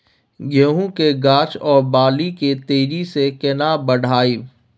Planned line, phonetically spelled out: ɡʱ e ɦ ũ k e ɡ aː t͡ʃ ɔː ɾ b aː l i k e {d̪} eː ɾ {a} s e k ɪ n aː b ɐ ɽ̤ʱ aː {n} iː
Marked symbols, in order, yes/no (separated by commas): no, no, no